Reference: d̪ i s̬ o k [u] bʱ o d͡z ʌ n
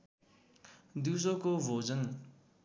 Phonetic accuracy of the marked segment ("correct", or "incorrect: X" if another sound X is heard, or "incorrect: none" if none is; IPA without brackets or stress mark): incorrect: o